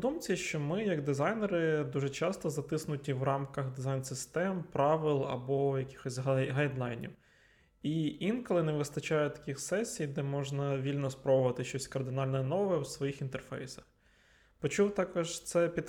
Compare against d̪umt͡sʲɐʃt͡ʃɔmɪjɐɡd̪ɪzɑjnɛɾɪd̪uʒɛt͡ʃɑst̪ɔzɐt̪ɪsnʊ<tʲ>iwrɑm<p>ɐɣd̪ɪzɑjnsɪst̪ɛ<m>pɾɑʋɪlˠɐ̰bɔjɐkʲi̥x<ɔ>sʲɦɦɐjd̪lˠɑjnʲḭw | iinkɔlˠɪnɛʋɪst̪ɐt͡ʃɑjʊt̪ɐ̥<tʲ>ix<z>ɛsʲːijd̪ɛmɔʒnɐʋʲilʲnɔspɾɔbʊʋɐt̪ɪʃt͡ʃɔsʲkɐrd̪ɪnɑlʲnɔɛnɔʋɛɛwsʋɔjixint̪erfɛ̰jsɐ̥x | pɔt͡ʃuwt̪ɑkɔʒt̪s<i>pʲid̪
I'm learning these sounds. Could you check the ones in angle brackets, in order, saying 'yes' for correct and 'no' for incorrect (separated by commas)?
yes, no, yes, yes, no, no, no